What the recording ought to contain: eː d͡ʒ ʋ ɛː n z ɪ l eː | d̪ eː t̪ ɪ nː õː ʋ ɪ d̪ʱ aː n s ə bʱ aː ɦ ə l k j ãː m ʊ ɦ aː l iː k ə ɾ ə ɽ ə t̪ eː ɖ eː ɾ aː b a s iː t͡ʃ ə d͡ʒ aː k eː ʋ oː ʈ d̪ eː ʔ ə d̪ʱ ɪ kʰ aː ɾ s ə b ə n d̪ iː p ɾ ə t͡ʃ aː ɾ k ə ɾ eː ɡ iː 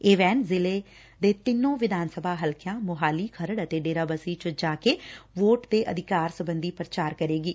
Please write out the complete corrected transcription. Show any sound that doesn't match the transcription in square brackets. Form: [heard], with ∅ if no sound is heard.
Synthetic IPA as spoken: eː [∅] ʋ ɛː n z ɪ l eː | d̪ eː t̪ ɪ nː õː ʋ ɪ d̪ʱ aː n s ə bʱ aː ɦ ə l k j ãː m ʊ ɦ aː l iː [kʰ] ə ɾ ə ɽ ə t̪ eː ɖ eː ɾ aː b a s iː t͡ʃ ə d͡ʒ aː k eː ʋ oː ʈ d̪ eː ʔ ə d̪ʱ ɪ [k] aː ɾ s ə b ə n d̪ iː p ɾ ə t͡ʃ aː ɾ k ə ɾ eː ɡ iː